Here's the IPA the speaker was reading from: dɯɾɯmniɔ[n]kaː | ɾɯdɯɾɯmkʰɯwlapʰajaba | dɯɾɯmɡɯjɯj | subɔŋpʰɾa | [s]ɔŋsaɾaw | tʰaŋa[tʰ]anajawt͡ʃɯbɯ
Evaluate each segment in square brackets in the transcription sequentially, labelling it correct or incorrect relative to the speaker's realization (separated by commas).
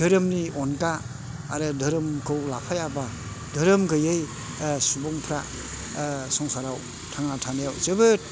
correct, correct, correct